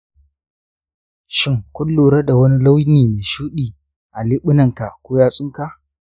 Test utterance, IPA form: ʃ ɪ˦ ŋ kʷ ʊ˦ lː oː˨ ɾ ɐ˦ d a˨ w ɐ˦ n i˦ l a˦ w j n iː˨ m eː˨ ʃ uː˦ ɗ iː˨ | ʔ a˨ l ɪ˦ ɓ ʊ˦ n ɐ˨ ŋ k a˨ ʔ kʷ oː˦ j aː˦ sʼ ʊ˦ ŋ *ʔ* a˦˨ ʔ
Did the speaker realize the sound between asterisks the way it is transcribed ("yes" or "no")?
no